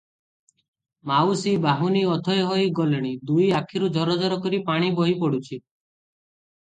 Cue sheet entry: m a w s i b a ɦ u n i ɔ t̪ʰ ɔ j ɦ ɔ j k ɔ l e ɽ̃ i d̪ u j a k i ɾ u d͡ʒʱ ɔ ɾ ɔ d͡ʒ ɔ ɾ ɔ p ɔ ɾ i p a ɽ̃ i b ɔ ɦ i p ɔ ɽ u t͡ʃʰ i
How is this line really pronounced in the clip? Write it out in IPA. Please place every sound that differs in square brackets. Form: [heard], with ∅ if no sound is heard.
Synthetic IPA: m a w s i b a ɦ u n i ɔ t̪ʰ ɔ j ɦ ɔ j [ɡ] ɔ l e ɽ̃ i d̪ u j a [kʰ] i ɾ u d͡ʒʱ ɔ ɾ ɔ d͡ʒ ɔ ɾ ɔ [k] ɔ ɾ i p a ɽ̃ i b ɔ ɦ i p ɔ ɽ u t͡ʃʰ i